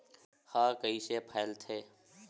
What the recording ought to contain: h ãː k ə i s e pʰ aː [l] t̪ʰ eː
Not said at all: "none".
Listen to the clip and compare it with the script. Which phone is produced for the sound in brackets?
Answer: l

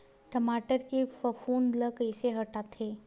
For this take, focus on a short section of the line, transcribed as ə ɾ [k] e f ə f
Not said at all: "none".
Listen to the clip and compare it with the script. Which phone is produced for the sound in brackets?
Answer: k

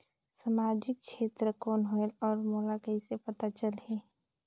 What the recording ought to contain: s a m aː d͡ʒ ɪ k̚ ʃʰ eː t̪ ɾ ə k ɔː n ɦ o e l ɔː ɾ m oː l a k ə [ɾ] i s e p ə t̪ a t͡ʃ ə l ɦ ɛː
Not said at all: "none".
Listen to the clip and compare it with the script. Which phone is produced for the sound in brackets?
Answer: none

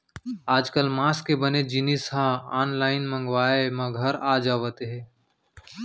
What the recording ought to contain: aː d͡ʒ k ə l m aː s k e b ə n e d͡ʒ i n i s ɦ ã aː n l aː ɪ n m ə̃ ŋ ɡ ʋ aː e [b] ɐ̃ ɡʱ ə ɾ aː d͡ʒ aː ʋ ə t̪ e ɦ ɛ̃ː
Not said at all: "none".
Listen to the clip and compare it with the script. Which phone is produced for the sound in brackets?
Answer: m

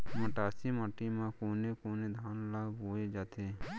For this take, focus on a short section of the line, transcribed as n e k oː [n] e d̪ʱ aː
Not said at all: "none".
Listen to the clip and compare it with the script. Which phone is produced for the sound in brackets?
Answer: n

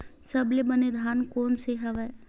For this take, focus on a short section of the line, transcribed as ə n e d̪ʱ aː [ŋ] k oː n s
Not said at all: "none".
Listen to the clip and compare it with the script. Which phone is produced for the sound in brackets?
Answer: n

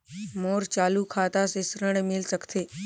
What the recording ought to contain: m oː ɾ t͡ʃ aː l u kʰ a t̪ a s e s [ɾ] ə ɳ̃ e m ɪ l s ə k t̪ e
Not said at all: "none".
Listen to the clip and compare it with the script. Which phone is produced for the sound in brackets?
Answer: ɾ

